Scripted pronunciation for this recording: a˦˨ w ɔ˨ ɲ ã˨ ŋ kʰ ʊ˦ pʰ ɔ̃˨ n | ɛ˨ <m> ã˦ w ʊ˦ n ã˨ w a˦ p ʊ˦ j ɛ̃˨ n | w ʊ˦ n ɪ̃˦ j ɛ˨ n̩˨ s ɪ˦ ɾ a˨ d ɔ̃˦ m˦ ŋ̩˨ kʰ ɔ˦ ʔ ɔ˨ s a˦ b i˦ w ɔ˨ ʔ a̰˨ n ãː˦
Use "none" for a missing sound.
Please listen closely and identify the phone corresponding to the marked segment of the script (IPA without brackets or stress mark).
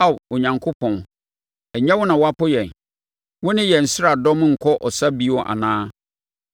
ɲ